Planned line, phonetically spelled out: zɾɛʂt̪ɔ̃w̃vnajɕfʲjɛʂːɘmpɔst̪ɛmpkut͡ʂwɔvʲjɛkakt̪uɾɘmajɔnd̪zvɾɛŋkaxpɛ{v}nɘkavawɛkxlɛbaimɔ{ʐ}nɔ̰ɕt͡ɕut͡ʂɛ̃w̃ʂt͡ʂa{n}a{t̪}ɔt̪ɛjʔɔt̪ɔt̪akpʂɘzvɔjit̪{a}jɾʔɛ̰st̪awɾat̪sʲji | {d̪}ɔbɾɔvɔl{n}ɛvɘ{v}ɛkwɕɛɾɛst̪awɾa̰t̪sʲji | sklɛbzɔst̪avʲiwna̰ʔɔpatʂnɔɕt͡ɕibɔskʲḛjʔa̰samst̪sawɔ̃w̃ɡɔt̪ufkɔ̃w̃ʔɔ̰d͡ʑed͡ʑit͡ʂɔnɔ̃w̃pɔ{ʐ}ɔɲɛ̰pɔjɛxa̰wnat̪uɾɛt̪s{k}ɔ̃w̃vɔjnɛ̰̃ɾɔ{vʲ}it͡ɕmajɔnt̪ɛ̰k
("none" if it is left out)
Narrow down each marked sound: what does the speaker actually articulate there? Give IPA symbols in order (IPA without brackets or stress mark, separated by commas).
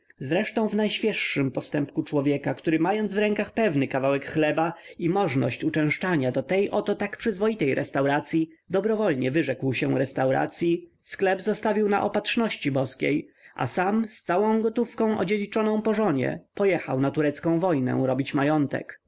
v, ʐ, ɲ, d̪, ɛ, d̪, ɲ, ʐ, ʐ, k, bʲ